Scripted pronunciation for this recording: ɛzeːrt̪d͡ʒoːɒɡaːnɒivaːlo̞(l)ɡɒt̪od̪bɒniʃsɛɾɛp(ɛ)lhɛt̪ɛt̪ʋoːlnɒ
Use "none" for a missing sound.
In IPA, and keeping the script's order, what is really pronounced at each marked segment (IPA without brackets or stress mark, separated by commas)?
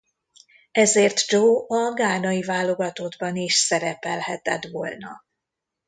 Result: none, ɛ